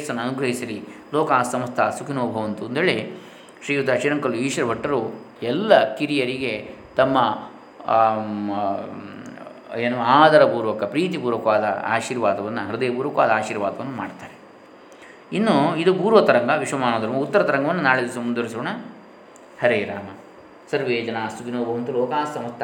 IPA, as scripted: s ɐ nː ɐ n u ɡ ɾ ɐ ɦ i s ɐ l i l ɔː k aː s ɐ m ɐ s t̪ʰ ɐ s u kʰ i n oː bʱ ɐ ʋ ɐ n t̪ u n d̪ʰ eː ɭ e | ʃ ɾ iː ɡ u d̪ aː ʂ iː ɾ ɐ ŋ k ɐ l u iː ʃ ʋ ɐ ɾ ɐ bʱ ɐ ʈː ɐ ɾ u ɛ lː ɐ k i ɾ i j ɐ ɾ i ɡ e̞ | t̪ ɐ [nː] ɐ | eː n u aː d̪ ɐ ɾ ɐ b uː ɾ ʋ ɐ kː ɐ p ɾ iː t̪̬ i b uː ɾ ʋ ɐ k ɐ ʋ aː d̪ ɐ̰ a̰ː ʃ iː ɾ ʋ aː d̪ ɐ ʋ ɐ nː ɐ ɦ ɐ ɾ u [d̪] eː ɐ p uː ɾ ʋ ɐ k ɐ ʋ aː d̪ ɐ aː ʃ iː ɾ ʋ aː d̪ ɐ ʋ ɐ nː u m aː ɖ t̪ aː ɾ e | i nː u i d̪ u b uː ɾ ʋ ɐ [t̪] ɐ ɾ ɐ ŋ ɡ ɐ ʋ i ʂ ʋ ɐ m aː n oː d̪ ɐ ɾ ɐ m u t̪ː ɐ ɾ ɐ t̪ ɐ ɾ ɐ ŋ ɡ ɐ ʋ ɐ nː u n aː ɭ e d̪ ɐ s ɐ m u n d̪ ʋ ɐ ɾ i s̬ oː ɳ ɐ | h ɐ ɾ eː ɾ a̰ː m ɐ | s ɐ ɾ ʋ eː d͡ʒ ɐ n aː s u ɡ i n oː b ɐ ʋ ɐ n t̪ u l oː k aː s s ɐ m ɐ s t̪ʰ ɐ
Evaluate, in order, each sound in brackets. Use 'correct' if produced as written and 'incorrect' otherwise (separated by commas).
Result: incorrect, correct, correct